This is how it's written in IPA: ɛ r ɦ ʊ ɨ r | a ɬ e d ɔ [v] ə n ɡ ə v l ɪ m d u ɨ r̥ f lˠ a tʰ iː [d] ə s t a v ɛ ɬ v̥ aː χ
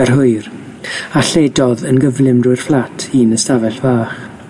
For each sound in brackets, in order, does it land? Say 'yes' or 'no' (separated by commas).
no, no